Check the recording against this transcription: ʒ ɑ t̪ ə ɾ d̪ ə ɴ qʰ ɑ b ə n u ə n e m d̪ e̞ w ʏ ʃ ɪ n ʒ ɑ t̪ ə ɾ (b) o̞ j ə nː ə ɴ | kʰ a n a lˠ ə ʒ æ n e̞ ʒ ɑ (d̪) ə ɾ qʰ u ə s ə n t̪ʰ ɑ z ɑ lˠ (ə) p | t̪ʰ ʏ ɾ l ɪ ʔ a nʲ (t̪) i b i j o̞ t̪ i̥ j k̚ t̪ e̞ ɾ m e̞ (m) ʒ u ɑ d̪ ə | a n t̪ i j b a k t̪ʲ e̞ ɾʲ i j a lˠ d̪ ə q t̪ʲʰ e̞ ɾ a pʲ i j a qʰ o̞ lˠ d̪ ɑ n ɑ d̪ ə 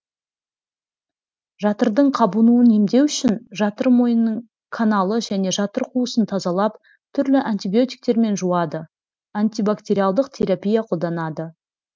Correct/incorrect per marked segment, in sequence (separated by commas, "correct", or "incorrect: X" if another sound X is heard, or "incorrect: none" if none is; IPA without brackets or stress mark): incorrect: m, incorrect: t̪, incorrect: ɑ, correct, incorrect: n